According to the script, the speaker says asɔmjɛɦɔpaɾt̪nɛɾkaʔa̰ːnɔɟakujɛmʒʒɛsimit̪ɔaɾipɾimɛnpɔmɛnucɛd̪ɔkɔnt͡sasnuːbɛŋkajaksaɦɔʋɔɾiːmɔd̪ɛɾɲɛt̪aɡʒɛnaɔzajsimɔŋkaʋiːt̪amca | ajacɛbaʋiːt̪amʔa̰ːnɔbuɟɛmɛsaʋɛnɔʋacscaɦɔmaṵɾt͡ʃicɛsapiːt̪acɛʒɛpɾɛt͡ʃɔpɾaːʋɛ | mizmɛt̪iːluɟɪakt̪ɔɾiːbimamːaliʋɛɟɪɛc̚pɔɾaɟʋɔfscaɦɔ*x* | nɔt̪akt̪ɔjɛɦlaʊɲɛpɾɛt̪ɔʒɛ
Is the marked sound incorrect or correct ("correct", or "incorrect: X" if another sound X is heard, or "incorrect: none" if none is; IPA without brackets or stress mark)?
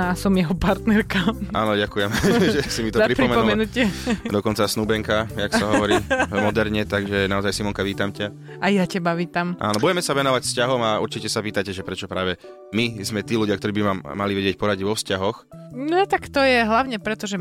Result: correct